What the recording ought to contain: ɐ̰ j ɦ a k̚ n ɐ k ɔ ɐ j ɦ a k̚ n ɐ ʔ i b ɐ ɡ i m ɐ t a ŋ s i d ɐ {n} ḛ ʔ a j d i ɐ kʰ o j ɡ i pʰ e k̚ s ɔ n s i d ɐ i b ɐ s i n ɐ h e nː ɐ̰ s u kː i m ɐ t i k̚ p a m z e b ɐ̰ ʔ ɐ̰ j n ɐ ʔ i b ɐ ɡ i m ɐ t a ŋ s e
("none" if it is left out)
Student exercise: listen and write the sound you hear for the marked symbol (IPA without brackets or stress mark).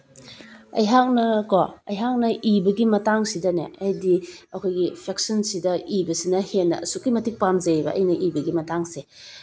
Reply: n